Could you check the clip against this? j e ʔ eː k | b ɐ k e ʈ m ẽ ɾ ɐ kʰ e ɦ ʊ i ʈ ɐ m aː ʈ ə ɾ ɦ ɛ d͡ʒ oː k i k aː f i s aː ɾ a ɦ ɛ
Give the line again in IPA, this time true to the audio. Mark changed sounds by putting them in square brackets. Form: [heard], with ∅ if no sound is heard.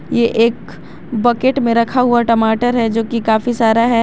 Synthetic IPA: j e ʔ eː k | b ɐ k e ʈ m ẽ ɾ ɐ kʰ [a] ɦ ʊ [a] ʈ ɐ m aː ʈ ə ɾ ɦ ɛ d͡ʒ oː k i k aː f i s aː ɾ a ɦ ɛ